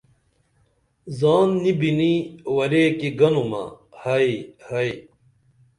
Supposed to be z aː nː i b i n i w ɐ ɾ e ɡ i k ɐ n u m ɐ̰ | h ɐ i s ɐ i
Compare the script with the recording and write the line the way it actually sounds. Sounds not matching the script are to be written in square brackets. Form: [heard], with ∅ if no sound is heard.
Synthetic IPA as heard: z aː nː i b i n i w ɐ ɾ e [k] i [ɡ] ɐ n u m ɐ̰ | h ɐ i [h] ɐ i

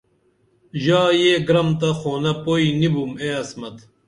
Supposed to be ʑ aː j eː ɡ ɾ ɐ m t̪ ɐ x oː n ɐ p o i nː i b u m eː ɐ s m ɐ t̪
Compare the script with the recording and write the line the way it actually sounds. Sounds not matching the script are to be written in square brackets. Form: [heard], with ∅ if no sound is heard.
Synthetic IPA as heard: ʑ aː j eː ɡ ɾ ɐ m t̪ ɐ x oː n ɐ p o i [n] i b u m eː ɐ s m ɐ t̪

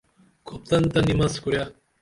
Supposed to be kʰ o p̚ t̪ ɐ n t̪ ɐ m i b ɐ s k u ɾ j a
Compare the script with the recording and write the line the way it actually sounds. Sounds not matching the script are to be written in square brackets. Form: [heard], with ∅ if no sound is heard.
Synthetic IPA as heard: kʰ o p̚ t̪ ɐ n t̪ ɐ [n] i [m] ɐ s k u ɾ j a

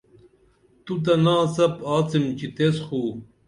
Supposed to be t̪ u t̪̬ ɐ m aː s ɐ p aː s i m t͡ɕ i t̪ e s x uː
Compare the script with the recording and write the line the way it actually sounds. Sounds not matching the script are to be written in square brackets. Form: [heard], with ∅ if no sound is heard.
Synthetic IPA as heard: t̪ u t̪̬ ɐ [n] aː s ɐ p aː [t͡s] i m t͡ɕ i t̪ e s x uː

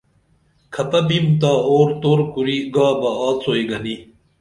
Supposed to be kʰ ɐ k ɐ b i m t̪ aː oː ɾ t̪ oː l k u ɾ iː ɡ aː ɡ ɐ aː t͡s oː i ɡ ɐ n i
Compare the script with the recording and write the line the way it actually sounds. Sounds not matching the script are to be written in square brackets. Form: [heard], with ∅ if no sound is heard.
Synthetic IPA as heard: kʰ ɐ [p] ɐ b i m t̪ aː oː ɾ t̪ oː [ɾ] k u ɾ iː ɡ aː [b] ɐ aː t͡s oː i ɡ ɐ n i

